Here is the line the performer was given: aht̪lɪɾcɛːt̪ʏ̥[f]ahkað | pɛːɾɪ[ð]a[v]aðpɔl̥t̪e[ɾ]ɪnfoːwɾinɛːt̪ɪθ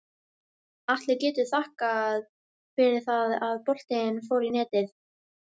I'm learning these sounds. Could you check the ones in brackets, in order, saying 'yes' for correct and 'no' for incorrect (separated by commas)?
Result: no, no, no, no